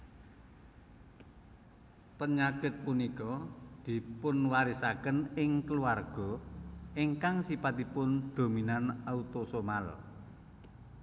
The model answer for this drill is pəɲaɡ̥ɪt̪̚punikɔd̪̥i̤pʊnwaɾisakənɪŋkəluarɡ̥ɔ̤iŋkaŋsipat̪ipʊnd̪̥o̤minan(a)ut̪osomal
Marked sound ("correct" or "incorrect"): correct